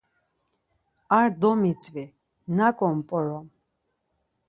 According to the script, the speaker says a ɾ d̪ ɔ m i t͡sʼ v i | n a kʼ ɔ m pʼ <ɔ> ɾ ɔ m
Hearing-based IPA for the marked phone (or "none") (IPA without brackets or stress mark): ɔ